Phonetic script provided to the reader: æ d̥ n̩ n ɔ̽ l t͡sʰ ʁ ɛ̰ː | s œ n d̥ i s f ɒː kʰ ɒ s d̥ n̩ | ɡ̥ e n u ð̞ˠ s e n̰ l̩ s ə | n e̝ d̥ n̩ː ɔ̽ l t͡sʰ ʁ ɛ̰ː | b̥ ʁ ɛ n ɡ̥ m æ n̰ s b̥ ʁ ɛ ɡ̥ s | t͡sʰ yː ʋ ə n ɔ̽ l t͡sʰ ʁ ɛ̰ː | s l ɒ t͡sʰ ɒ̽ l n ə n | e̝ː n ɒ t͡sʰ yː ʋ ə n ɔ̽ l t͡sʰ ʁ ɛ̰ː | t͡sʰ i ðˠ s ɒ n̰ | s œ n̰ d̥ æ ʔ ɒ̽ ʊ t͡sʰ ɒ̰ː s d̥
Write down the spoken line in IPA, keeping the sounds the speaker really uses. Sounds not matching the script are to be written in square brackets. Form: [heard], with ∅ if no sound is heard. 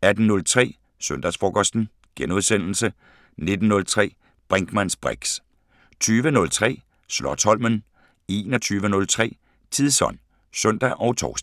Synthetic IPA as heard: æ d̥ n̩ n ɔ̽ l t͡sʰ ʁ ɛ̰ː | s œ n d̥ [æ] s f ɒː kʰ ɒ s d̥ n̩ | ɡ̥ e n u ð̞ˠ s e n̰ l̩ s ə | n e̝ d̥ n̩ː ɔ̽ l t͡sʰ ʁ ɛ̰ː | b̥ ʁ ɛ [ŋ] ɡ̥ m æ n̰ s b̥ ʁ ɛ ɡ̥ s | t͡sʰ yː ʋ ə n ɔ̽ l t͡sʰ ʁ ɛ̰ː | s l ɒ t͡sʰ ɒ̽ l [m] ə n | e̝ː n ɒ t͡sʰ yː ʋ ə n ɔ̽ l t͡sʰ ʁ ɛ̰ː | t͡sʰ i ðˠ s ɒ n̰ | s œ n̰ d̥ æ ʔ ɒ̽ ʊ t͡sʰ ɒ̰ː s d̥

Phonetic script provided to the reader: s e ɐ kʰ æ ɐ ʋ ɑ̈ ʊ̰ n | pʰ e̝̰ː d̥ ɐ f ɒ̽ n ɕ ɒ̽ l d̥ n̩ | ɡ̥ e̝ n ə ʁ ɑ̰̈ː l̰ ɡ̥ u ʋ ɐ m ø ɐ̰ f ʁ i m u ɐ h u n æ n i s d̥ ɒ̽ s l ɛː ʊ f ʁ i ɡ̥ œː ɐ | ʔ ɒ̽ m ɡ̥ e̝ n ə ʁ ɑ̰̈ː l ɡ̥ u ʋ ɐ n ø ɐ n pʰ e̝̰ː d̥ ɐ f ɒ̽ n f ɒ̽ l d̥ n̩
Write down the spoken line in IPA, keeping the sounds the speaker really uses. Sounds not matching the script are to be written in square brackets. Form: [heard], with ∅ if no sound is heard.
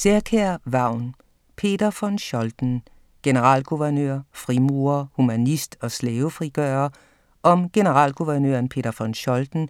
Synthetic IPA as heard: s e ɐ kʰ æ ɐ ʋ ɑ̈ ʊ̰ n | pʰ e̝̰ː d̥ ɐ f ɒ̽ n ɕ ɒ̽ l d̥ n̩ | ɡ̥ e̝ n ə ʁ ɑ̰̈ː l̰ ɡ̥ u ʋ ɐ [n] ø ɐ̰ f ʁ i m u ɐ h u [m] æ n i s d̥ ɒ̽ s l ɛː ʊ f ʁ i ɡ̥ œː ɐ | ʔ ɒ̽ m ɡ̥ e̝ n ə ʁ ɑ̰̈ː l ɡ̥ u ʋ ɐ n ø ɐ n pʰ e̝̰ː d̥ ɐ f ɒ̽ n [ɕ] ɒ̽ l d̥ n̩

